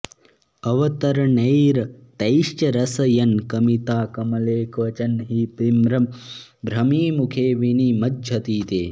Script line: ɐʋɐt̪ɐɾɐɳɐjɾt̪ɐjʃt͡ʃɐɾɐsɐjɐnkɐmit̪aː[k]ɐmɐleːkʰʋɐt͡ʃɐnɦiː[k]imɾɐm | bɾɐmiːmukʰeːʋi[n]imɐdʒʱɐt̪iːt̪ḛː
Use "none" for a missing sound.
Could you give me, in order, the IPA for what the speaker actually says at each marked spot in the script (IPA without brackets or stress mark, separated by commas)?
k, p, n